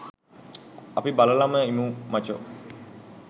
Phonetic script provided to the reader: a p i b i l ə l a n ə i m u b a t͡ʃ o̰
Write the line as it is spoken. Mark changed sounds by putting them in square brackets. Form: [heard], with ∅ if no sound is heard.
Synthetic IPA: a p i b [a] l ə l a [m] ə i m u [m] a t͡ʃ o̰